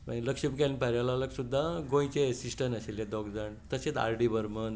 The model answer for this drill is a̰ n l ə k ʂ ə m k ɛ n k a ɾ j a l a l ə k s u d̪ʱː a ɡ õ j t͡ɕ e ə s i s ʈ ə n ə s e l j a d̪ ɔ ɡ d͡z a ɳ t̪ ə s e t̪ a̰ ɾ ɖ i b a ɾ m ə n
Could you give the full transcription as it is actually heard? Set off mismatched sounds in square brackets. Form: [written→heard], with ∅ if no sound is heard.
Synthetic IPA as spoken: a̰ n l ə k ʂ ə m k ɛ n [k→p] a ɾ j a l a l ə k s u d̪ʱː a ɡ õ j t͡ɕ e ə s i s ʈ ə n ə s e l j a d̪ ɔ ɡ d͡z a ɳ t̪ ə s e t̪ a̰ ɾ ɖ i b [a→ə] ɾ m ə n